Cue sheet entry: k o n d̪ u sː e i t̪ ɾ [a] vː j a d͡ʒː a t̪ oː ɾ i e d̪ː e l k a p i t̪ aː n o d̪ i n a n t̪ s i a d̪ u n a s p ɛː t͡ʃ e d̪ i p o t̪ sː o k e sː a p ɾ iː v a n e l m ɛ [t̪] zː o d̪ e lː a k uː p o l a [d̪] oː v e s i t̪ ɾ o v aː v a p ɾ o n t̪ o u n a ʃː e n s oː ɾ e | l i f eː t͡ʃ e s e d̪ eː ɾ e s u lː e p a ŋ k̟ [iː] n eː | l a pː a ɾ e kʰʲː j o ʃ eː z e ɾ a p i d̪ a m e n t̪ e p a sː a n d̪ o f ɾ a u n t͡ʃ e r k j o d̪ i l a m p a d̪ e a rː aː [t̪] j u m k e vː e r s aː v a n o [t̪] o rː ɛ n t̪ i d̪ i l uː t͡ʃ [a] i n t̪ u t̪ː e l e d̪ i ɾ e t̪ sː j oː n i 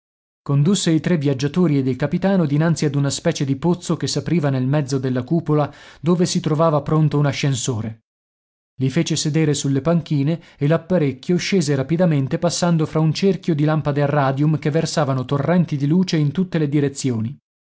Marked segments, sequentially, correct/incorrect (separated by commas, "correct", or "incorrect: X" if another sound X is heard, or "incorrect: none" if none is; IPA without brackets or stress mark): incorrect: e, incorrect: d̪, correct, correct, incorrect: d̪, correct, incorrect: e